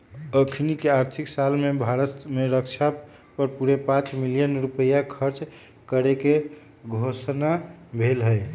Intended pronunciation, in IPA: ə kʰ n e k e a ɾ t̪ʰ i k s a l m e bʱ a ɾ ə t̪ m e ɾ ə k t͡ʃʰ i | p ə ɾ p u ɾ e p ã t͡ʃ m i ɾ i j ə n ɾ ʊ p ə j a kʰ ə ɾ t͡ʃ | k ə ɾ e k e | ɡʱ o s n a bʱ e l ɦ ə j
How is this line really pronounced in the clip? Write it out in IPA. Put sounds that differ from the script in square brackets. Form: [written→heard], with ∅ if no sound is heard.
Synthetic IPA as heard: ə kʰ n [e→i] k e a ɾ t̪ʰ i k s a l m e bʱ a ɾ ə t̪ m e ɾ ə k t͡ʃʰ [i→a] | p ə ɾ p u ɾ e p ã t͡ʃ m i [ɾ→l] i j ə n ɾ [ʊ→u] p ə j a kʰ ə ɾ t͡ʃ | k ə ɾ e k e | ɡʱ o s n a bʱ e l ɦ ə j